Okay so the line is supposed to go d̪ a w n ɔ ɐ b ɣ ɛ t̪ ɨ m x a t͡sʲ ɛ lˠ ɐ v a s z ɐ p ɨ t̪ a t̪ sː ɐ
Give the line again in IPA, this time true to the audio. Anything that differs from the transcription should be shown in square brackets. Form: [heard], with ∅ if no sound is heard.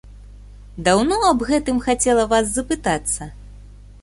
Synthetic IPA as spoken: d̪ a w n ɔ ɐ b ɣ ɛ t̪ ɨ m x a t͡sʲ ɛ lˠ ɐ v a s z ɐ p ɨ t̪ a t̪ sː ɐ